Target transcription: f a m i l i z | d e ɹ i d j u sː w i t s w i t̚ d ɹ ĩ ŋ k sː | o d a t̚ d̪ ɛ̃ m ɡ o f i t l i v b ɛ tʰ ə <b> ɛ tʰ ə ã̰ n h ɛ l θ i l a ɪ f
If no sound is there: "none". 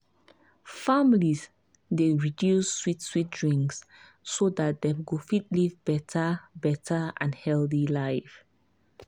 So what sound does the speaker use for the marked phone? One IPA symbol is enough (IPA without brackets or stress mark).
b